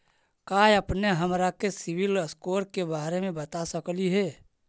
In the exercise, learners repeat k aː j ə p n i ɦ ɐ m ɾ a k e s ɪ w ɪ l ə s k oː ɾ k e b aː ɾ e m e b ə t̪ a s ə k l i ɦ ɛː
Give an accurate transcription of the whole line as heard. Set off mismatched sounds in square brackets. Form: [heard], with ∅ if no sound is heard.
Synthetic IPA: k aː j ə p n [e] ɦ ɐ m ɾ a k e s ɪ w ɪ l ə s k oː ɾ k e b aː ɾ e m [ẽ] b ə t̪ a s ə k l i ɦ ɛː